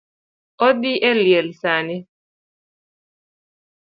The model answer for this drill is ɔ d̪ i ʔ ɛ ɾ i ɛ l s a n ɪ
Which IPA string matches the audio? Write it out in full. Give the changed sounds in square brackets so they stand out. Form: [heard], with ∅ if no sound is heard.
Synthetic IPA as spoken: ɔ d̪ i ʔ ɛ [l] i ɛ l s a n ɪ